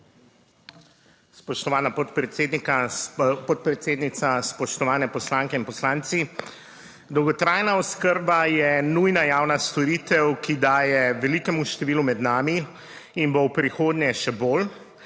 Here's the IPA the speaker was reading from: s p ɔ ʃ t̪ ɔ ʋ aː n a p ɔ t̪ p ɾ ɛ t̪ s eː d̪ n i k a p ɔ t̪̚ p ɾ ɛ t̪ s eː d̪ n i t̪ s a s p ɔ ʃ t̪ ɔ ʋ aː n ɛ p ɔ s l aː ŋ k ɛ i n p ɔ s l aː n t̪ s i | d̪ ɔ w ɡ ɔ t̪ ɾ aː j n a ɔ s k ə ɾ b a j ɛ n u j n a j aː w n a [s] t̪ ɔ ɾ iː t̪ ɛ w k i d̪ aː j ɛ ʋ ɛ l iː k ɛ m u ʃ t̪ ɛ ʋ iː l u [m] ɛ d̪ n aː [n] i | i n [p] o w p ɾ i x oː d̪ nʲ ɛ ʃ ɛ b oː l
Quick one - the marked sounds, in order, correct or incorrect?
correct, correct, incorrect, incorrect

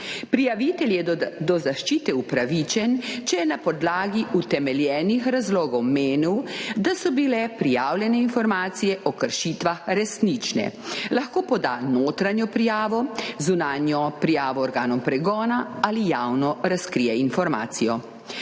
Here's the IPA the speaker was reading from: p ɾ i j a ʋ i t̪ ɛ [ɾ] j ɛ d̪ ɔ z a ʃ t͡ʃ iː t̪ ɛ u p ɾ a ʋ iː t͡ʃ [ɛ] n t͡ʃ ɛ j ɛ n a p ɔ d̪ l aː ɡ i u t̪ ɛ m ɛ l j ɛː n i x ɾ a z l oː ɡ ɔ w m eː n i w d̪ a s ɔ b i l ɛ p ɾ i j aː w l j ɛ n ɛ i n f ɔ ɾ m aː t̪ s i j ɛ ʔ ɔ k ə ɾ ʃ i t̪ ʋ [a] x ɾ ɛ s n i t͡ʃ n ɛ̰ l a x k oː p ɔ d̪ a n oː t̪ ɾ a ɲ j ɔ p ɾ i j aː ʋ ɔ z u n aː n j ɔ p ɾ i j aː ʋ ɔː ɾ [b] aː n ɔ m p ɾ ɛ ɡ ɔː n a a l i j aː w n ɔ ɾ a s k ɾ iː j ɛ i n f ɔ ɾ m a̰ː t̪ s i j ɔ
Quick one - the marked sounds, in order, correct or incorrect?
incorrect, correct, correct, incorrect

